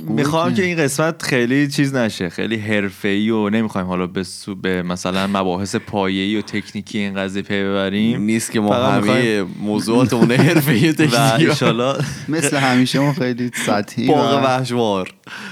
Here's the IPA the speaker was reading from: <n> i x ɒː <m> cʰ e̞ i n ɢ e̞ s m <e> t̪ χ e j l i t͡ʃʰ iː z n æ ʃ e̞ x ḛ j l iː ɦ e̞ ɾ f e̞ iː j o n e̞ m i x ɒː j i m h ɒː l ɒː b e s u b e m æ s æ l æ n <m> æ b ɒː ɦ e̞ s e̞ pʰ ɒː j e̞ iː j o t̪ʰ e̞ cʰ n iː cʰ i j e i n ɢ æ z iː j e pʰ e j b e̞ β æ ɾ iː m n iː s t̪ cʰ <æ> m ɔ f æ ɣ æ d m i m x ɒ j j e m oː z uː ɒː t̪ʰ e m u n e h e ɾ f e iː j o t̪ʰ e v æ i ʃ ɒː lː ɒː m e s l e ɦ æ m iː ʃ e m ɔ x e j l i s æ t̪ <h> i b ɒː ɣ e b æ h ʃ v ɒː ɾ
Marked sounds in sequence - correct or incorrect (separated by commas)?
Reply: incorrect, correct, incorrect, correct, incorrect, correct